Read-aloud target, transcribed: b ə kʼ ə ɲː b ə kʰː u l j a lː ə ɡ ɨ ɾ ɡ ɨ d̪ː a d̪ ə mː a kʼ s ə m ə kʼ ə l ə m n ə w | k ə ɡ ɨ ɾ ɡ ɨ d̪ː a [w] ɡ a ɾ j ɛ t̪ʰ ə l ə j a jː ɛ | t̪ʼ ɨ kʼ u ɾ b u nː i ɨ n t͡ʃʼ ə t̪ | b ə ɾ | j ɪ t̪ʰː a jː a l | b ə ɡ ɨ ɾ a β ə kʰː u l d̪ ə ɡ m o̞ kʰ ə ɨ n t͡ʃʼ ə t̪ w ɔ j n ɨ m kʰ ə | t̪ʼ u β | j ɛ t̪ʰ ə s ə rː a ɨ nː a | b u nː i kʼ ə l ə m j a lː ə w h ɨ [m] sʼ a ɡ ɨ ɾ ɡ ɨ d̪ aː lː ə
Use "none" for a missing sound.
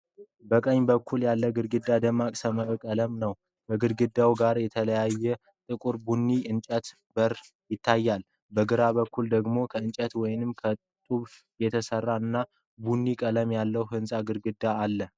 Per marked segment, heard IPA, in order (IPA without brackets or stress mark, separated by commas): w, n